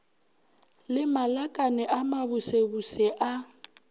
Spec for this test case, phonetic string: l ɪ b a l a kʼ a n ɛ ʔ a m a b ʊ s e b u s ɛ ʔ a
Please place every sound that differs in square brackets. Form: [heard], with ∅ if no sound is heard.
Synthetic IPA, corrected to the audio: l ɪ [m] a l a kʼ a n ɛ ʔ a m a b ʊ s e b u s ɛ ʔ a